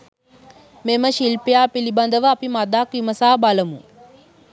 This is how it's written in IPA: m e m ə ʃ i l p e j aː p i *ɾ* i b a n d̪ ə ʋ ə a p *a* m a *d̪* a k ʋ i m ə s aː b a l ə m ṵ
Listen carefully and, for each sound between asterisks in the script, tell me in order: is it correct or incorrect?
incorrect, incorrect, correct

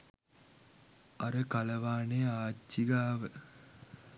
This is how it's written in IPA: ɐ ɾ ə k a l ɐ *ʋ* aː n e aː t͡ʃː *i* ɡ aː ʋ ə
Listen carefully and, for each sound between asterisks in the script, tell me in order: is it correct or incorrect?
correct, correct

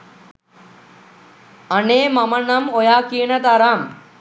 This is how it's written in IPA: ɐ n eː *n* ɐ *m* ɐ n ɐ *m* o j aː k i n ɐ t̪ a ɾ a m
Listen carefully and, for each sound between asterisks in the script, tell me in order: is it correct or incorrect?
incorrect, correct, correct

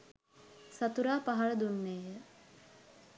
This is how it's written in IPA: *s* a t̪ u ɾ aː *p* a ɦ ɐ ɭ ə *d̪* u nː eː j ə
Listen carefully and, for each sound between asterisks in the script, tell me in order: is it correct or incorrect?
correct, correct, correct

